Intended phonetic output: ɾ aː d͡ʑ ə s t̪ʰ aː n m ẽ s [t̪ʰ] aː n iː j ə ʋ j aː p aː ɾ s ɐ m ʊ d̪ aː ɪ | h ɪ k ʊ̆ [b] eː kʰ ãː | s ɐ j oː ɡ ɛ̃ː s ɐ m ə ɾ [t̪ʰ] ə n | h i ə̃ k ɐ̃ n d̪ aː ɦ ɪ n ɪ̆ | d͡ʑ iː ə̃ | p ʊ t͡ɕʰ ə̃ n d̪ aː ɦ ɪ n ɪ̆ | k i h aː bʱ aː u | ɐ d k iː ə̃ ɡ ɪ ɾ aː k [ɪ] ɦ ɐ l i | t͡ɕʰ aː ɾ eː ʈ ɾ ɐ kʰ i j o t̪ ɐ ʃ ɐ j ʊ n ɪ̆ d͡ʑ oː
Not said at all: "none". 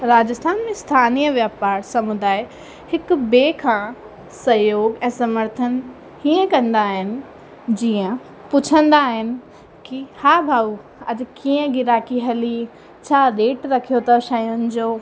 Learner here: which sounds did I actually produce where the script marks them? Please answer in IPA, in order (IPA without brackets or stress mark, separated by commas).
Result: t̪ʰ, b, t̪ʰ, i